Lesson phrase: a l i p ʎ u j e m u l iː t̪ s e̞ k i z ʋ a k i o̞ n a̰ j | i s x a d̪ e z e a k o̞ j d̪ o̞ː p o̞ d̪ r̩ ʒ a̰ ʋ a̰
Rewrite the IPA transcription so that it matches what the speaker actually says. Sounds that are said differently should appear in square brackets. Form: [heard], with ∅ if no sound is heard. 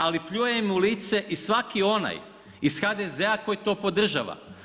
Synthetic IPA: a l i p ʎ u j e m u l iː t̪ s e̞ [ʔ] i [s] ʋ a k i o̞ n a̰ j | i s x a d̪ e z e a k o̞ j [t̪] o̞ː p o̞ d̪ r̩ ʒ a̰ ʋ a̰